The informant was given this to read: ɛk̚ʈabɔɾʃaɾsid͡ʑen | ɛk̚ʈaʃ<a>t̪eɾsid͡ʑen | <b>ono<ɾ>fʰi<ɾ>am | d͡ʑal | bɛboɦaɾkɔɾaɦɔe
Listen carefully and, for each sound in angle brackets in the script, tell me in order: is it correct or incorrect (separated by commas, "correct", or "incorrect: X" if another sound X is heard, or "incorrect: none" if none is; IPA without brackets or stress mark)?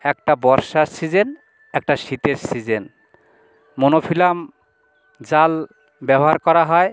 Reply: incorrect: i, incorrect: m, incorrect: none, incorrect: l